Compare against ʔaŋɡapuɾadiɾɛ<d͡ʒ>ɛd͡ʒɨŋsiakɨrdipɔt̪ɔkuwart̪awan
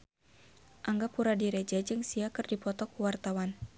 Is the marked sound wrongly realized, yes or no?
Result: no